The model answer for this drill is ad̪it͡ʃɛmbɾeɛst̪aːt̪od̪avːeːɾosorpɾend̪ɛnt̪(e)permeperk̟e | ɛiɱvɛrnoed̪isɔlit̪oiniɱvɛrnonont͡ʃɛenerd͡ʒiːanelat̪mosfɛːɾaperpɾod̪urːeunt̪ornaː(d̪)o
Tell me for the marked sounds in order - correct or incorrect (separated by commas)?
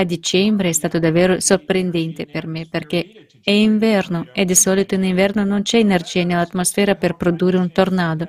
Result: correct, correct